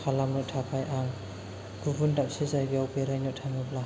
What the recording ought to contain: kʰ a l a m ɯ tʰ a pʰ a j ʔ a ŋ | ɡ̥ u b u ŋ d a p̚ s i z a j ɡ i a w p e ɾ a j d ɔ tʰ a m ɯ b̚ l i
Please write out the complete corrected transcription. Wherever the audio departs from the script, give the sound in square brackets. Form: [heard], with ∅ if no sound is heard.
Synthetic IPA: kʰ a l a m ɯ tʰ a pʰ a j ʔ a ŋ | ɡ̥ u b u [n] d a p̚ s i z a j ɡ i a w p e ɾ a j [n] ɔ tʰ a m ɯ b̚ l [a]